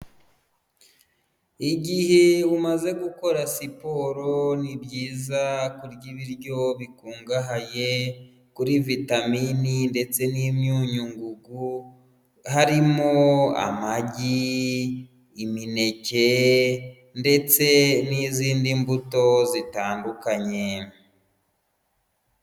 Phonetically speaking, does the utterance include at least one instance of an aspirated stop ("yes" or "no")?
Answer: no